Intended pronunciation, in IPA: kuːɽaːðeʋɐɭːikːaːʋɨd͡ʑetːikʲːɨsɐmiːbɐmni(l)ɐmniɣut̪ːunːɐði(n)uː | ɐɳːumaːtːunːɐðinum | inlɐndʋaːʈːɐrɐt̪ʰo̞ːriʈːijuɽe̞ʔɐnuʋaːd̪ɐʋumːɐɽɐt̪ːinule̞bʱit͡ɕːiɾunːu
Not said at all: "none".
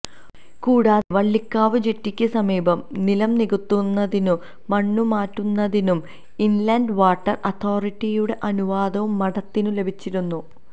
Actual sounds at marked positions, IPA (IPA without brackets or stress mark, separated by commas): l, n